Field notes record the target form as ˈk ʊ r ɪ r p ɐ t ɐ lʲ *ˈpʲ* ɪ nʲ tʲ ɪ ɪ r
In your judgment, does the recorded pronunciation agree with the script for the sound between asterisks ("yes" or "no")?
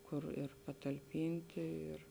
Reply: yes